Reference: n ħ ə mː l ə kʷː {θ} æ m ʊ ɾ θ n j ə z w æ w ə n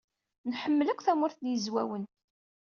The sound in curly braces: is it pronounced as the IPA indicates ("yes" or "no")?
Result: yes